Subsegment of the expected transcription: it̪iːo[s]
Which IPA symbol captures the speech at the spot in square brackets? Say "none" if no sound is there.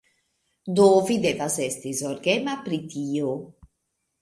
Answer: none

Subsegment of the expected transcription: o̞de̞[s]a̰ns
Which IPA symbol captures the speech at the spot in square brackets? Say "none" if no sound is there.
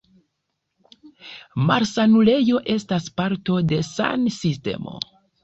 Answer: s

